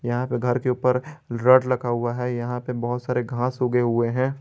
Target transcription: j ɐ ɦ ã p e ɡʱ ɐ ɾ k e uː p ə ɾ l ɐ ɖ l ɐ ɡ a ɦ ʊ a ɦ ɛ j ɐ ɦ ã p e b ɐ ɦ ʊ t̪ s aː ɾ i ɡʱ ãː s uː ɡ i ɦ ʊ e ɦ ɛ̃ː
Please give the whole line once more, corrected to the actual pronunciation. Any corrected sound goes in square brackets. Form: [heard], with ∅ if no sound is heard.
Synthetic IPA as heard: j ɐ ɦ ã p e ɡʱ ɐ ɾ k e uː p ə ɾ [ɾ] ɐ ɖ l ɐ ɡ a ɦ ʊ a ɦ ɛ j ɐ ɦ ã p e b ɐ ɦ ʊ t̪ s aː ɾ [e] ɡʱ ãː s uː ɡ [e] ɦ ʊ e ɦ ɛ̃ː